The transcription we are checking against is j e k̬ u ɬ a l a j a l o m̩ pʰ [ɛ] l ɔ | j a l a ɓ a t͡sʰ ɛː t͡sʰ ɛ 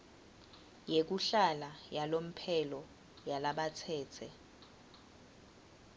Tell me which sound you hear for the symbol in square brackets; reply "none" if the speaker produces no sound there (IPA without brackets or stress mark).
ɛ